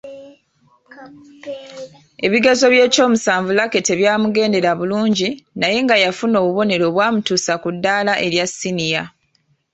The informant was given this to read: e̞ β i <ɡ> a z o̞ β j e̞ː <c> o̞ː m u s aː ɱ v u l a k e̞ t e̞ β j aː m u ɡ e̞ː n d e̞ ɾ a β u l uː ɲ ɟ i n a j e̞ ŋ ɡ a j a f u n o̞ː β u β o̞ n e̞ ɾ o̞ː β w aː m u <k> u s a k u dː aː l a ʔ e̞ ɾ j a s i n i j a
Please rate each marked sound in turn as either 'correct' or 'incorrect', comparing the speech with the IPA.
correct, correct, incorrect: t

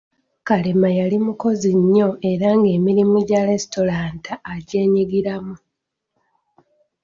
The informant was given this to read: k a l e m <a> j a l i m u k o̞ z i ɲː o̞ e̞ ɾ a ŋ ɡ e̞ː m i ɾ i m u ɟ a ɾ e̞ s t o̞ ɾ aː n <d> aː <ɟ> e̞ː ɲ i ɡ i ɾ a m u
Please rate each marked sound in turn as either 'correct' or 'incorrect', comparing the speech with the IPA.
correct, incorrect: t, correct

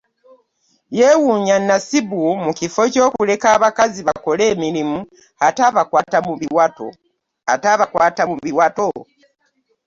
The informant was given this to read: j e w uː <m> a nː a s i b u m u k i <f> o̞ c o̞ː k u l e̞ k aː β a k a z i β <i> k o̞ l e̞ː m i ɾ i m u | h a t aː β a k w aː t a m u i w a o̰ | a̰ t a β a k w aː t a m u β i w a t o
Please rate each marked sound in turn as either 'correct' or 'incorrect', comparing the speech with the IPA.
incorrect: ɲ, correct, incorrect: a

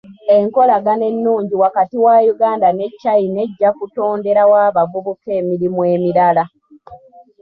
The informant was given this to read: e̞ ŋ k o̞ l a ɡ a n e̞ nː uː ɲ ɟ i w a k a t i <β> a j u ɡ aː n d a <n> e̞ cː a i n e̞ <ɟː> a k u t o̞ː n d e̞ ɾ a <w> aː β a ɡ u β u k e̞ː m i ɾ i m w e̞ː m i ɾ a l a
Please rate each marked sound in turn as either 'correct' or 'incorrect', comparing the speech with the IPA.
incorrect: w, correct, correct, correct

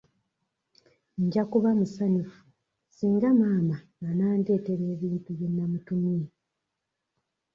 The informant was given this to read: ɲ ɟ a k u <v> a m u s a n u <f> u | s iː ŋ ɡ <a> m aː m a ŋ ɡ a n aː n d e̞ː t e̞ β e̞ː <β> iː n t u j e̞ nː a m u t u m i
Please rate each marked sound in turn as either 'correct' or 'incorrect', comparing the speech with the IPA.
incorrect: β, correct, correct, correct

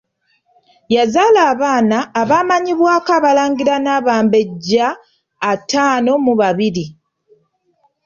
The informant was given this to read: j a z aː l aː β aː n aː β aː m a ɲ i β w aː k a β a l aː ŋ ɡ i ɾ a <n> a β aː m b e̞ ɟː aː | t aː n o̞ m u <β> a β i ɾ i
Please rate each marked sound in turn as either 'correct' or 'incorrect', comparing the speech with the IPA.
correct, correct

